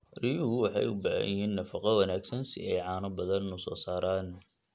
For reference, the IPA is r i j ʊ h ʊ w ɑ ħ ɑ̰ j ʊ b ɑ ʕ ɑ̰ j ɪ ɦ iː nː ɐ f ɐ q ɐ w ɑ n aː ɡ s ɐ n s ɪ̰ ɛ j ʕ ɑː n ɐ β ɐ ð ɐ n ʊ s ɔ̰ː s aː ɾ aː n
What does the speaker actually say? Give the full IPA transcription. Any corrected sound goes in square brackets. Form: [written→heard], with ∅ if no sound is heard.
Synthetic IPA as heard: r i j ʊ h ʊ w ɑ ħ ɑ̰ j ʊ b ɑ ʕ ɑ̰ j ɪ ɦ iː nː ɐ f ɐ q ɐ w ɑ n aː ɡ s ɐ n s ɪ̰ ɛ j ʕ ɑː n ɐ [β→b] ɐ ð ɐ n ʊ s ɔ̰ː s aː ɾ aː n